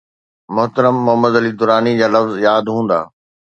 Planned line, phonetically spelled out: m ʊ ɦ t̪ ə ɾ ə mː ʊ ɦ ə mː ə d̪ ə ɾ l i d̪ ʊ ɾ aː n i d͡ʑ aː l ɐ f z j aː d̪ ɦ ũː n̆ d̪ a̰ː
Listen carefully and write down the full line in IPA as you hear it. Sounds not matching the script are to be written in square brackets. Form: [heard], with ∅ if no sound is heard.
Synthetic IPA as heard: m ʊ ɦ t̪ ə ɾ ə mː ʊ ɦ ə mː ə d̪ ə [∅] l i d̪ ʊ ɾ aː n i d͡ʑ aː l ɐ f z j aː d̪ ɦ ũː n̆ d̪ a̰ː